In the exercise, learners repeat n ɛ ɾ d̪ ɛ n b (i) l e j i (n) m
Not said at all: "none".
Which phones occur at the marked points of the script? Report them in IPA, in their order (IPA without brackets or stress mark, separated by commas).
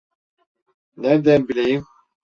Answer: i, none